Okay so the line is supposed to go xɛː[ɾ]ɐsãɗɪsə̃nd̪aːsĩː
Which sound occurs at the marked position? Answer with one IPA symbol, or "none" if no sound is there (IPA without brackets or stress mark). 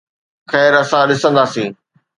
ɾ